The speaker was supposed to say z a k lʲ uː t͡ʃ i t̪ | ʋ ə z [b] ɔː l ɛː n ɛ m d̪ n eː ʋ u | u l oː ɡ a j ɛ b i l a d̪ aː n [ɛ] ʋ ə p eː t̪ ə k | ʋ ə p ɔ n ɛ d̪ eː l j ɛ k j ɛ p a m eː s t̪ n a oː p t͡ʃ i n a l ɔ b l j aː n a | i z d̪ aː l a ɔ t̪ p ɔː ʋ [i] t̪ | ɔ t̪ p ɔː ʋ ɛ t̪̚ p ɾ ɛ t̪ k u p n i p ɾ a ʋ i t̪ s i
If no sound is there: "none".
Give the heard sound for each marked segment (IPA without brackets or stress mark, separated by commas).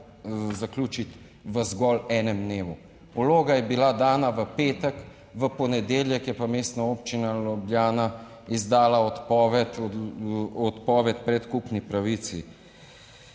ɡ, a, ɛ